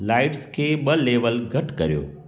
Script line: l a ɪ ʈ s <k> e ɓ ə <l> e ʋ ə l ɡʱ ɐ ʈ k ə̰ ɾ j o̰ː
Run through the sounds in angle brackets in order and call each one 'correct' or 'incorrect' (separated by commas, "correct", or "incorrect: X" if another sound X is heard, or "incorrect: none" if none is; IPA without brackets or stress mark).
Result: incorrect: kʰ, correct